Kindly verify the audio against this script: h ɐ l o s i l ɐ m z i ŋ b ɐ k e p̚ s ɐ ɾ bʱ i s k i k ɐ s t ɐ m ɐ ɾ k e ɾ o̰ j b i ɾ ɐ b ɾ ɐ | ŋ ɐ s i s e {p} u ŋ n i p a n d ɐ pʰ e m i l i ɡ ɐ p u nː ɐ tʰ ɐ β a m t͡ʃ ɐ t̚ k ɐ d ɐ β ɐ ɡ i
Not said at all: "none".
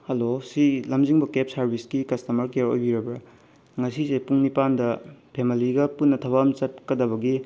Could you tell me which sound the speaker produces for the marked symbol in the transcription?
p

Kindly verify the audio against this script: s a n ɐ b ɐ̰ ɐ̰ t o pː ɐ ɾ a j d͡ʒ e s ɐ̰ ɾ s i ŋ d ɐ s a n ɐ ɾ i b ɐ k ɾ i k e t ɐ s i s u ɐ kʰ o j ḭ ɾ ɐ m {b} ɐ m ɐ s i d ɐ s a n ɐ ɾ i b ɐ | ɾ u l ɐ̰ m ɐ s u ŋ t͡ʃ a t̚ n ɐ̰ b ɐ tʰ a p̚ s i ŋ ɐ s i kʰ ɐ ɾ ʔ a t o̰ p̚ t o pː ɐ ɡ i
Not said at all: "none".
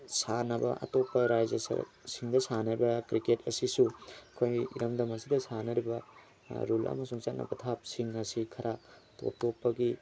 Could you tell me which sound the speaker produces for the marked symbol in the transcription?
d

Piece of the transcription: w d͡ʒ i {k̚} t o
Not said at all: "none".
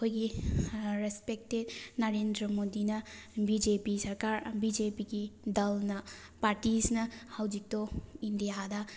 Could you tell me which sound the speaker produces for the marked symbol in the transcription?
k̚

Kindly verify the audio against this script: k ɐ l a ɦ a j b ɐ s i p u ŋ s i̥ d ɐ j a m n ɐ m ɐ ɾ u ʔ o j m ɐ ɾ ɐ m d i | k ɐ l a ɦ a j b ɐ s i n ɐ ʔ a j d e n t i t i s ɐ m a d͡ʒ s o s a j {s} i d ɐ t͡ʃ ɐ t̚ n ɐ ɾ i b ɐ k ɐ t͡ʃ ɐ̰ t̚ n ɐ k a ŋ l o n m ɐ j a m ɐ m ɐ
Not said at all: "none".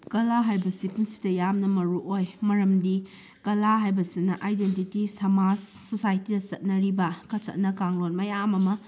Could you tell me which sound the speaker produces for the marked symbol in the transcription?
t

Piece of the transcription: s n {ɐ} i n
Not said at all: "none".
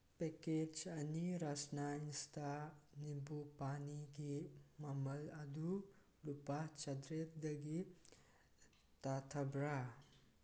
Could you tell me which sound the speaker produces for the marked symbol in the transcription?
a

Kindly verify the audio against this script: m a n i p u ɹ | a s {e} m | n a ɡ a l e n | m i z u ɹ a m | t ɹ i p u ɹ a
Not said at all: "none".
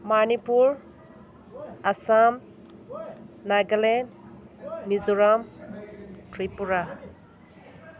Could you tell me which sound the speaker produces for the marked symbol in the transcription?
a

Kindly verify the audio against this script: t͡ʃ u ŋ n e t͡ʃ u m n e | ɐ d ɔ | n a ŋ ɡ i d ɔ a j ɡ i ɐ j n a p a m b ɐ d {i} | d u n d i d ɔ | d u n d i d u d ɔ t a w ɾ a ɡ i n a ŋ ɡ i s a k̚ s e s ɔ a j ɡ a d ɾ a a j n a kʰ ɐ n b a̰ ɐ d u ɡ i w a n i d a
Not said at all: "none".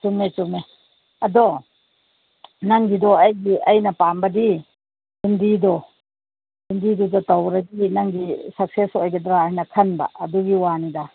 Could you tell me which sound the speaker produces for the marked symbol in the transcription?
i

